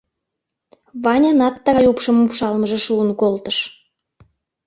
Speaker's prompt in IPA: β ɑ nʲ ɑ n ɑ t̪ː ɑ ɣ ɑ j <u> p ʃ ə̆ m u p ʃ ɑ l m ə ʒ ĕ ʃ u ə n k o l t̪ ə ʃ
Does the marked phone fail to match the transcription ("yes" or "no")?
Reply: no